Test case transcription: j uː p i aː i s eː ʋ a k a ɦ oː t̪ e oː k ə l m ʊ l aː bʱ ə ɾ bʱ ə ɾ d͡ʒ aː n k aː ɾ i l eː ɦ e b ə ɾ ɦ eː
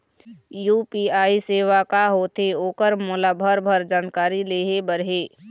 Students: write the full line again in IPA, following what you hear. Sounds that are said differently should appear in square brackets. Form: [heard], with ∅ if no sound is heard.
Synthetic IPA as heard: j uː p i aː i s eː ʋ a k a ɦ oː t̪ e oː k ə [ɾ] m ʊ l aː bʱ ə ɾ bʱ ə ɾ d͡ʒ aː n k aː ɾ i l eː ɦ e b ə ɾ ɦ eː